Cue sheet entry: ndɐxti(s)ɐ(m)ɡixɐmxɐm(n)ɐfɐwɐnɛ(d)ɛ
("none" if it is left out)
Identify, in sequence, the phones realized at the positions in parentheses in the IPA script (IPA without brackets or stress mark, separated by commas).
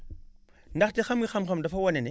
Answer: x, m, d, n